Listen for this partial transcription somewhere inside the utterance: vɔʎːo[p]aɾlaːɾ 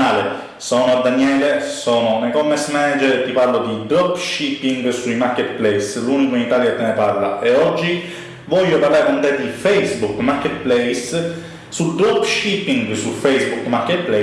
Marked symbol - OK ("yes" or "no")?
yes